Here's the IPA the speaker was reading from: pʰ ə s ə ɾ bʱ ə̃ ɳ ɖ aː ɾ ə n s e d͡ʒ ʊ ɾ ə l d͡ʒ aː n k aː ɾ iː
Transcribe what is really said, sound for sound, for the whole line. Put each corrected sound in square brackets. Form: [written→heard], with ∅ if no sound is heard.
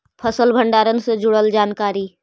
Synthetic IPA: pʰ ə s ə [ɾ→l] bʱ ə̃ ɳ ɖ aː ɾ ə n s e d͡ʒ ʊ [ɾ→ɽ] ə l d͡ʒ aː n k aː ɾ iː